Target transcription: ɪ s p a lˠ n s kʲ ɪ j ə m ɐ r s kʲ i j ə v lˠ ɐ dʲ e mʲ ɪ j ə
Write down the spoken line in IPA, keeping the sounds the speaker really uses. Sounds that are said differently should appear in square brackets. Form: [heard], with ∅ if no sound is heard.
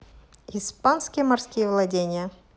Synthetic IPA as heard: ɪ s p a [∅] n s kʲ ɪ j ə m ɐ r s kʲ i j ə v lˠ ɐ dʲ e [nʲ] ɪ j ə